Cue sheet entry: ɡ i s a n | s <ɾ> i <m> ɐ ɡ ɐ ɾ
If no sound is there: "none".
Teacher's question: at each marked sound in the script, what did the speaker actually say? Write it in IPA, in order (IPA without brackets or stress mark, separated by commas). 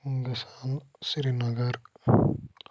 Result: ɾ, n